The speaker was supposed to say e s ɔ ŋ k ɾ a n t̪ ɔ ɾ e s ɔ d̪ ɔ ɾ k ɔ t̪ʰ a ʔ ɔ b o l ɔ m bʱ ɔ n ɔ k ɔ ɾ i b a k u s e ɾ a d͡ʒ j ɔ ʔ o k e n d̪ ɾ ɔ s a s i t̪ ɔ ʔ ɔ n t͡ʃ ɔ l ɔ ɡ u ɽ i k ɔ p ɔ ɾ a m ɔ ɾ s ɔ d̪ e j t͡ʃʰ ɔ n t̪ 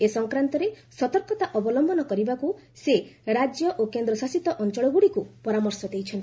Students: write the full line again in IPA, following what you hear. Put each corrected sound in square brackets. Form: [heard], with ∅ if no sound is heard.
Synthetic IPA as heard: e s ɔ ŋ k ɾ a n t̪ ɔ ɾ e s ɔ [t̪] ɔ ɾ k ɔ [t̪] a ʔ ɔ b [ɔ] l ɔ m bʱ ɔ n ɔ k ɔ ɾ i b a k u s e ɾ a d͡ʒ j ɔ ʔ o k e n d̪ ɾ ɔ s a s i t̪ ɔ ʔ ɔ n t͡ʃ ɔ [ɭ] ɔ ɡ u ɽ i k [u] p ɔ ɾ a m ɔ ɾ s ɔ d̪ e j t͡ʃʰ ɔ n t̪

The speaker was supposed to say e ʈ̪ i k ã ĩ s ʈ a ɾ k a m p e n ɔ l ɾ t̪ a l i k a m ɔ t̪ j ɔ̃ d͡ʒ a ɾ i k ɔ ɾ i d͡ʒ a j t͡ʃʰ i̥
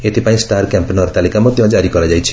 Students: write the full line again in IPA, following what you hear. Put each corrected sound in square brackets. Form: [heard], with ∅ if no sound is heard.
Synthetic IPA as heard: e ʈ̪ i [p] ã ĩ s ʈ a ɾ k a m p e n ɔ [∅] ɾ t̪ a l i k a m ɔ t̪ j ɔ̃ d͡ʒ a ɾ i k ɔ ɾ [a] d͡ʒ a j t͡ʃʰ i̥

